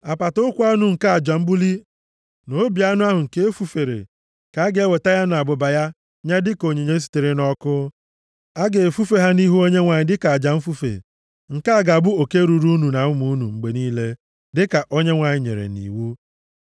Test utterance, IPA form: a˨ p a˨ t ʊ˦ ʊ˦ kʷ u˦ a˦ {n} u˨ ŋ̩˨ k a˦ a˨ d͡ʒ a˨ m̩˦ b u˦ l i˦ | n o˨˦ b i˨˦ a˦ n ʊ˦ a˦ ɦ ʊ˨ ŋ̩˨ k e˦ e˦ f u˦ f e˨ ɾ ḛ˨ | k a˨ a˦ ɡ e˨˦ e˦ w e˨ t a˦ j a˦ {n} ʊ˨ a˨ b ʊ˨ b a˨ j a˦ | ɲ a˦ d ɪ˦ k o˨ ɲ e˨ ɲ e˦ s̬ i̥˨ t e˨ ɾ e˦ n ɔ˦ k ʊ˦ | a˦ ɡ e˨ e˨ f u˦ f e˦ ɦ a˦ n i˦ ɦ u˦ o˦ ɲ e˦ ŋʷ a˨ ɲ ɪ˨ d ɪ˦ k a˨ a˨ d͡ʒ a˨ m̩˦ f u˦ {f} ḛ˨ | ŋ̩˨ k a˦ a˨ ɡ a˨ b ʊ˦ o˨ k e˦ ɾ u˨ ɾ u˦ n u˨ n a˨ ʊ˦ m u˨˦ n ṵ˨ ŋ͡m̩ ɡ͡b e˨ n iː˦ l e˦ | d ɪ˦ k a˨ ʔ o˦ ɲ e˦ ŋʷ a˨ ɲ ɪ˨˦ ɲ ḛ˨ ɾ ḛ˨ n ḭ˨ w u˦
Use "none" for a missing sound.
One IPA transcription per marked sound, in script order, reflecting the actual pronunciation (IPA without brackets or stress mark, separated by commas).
n, n, f